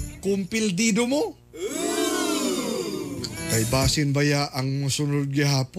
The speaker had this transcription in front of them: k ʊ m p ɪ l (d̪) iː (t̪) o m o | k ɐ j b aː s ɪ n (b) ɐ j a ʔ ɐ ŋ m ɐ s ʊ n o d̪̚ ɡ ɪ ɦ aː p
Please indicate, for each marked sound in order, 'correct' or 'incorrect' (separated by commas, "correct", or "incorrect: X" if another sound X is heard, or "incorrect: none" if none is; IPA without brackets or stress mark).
correct, incorrect: d̪, correct